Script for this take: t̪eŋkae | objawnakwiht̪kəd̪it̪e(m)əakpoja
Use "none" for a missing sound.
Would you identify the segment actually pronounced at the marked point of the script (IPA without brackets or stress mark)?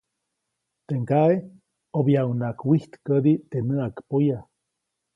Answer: n